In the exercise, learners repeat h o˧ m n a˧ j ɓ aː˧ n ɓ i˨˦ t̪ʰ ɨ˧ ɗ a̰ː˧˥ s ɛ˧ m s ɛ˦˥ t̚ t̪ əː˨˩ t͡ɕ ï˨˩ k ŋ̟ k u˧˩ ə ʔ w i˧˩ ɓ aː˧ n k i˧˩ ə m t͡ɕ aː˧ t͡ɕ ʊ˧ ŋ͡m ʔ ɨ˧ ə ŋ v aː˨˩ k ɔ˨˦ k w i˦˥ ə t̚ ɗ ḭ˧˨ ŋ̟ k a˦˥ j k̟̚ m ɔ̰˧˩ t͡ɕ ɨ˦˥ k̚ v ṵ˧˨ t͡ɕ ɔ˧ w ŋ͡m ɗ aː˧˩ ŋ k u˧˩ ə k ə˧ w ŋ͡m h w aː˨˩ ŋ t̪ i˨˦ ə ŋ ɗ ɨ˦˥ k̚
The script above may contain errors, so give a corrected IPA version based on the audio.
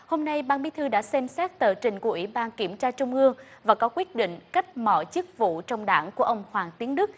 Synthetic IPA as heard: h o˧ m n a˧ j ɓ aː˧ n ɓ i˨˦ t̪ʰ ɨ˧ ɗ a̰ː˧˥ s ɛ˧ m s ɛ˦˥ t̚ t̪ əː˨˩ t͡ɕ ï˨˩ ŋ̟ k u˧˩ ə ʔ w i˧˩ ɓ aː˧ n k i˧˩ ə m t͡ɕ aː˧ t͡ɕ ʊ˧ ŋ͡m ʔ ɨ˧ ə ŋ v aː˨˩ k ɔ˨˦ k w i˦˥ ə t̚ ɗ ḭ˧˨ ŋ̟ k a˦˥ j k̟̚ m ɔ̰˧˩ t͡ɕ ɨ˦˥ k̚ v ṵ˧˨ t͡ɕ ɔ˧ w ŋ͡m ɗ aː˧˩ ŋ k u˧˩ ə ʔ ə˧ w ŋ͡m h w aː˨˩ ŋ t̪ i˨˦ ə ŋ ɗ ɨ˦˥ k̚